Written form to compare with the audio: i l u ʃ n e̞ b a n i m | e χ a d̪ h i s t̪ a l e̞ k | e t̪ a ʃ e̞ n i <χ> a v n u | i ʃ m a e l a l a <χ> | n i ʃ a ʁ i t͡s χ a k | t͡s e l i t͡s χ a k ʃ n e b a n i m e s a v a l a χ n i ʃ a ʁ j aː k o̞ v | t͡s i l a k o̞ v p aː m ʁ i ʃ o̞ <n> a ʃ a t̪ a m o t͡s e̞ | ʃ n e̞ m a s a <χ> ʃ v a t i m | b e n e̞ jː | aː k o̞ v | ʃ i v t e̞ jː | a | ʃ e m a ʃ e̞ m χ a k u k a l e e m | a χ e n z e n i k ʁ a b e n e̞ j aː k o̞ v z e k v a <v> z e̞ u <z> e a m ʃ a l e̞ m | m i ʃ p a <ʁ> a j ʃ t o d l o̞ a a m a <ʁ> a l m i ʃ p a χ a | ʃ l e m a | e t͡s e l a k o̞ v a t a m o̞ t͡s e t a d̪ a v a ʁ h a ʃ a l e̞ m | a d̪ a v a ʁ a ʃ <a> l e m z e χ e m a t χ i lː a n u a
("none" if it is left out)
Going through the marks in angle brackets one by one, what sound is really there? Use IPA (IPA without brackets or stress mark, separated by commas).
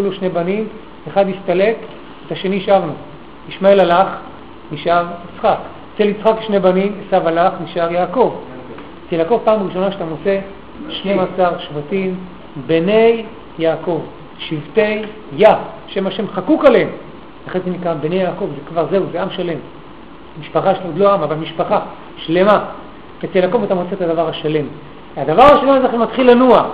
ʃ, χ, n, ʁ, ʁ, z, χ, v, a